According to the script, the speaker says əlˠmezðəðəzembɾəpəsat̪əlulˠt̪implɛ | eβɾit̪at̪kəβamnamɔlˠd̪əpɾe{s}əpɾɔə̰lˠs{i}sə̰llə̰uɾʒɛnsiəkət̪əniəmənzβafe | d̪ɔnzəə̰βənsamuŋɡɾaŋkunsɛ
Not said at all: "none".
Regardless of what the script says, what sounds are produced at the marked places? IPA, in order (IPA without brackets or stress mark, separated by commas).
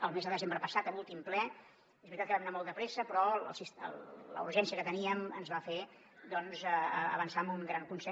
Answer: s, i